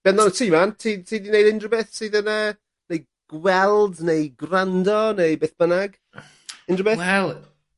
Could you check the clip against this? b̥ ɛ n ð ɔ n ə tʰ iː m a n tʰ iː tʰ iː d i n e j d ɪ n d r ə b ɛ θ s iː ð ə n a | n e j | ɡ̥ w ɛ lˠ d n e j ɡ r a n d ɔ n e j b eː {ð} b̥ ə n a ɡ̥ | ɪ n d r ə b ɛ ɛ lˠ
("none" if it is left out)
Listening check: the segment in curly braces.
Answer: θ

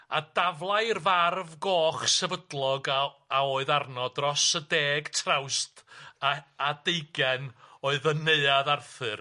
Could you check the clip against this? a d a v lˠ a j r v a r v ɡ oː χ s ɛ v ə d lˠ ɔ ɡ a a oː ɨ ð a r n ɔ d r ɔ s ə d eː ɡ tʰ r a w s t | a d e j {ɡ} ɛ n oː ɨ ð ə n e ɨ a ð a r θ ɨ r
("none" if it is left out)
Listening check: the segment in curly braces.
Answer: ɡ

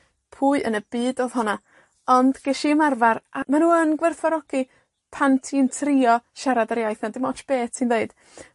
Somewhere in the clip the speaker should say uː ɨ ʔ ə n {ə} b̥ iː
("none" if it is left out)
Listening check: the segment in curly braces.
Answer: ə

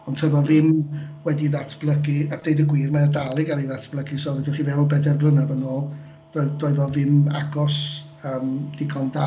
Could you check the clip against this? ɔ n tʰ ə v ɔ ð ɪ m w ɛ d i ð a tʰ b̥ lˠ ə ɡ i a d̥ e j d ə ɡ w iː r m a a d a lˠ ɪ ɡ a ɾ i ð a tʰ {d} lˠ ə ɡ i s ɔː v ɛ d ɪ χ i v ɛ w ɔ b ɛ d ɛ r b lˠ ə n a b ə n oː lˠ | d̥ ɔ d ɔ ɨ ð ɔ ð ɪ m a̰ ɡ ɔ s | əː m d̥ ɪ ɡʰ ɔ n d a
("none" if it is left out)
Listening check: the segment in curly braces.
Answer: b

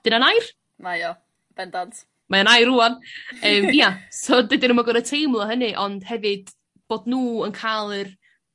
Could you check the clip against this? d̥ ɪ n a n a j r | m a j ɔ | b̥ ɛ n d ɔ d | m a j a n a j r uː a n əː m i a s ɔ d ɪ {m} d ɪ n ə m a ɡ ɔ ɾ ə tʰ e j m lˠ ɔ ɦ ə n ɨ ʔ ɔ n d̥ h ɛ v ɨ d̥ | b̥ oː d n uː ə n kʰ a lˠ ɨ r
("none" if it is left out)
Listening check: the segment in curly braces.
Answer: none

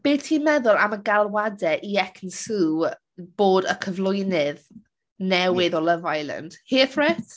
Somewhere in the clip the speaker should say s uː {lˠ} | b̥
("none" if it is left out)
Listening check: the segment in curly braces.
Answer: none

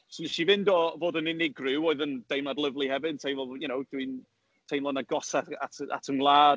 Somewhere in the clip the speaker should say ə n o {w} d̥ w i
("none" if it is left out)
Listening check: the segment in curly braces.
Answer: w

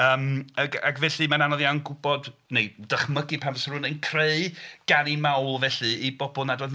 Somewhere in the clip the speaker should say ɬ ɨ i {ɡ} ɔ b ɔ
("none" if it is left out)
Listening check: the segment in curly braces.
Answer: b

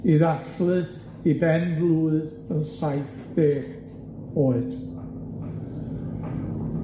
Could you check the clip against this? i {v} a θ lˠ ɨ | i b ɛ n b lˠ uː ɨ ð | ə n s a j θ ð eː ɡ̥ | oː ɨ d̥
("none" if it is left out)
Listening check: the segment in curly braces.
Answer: ð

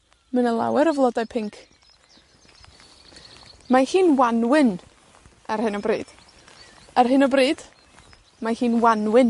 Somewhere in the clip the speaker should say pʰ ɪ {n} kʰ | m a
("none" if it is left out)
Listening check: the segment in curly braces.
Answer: ŋ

